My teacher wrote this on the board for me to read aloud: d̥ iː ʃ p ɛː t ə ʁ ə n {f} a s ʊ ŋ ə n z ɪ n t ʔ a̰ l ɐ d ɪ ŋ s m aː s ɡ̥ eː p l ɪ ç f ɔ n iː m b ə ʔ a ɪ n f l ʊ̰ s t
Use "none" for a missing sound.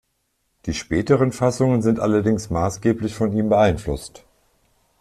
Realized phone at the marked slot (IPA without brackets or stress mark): f